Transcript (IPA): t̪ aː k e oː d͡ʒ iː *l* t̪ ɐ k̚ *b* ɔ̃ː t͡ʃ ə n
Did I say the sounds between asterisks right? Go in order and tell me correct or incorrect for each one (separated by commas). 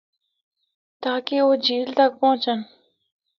correct, incorrect